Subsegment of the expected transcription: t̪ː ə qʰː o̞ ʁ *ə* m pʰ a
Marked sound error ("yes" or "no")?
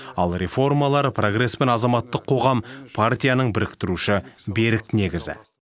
yes